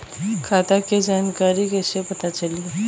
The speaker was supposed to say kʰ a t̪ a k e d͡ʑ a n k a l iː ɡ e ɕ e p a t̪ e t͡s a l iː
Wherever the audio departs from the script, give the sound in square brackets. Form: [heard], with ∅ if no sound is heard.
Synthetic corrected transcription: kʰ a t̪ a k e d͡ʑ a n k a [ɾ] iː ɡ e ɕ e p [ə] t̪ [a] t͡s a l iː